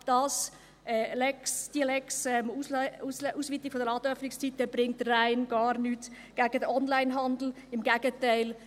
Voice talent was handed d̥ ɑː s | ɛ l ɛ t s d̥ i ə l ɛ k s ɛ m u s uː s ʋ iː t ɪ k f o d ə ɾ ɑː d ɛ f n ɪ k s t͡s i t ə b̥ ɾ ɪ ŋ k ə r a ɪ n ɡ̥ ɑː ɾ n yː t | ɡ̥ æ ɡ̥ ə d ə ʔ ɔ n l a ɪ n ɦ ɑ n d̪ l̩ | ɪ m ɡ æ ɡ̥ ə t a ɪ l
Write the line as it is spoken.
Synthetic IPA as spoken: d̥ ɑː s | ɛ l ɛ k s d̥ i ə l ɛ k s ɛ m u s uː s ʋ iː t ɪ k f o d ə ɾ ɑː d œ f n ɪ k s t͡s i t ə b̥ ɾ ɪ ŋ t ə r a ɪ n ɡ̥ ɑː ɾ n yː t | ɡ̥ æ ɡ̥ ə d ə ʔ ɔ n l a ɪ n ɦ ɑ n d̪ l̩ | ɪ m ɡ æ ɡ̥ ə t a ɪ l